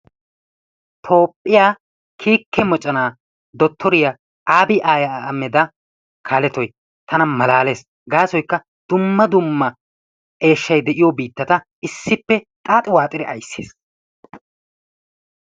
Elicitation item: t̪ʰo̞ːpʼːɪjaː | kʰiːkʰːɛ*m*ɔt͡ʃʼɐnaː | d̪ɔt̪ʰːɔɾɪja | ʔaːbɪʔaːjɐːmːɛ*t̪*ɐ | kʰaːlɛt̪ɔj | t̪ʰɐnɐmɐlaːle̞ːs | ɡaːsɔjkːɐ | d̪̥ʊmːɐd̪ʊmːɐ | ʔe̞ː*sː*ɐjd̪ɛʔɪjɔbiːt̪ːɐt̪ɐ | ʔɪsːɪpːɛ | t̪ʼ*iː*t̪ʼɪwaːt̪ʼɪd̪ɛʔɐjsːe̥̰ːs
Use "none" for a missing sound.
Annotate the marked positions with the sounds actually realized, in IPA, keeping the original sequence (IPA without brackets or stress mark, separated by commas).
m, d̪, ʃː, aː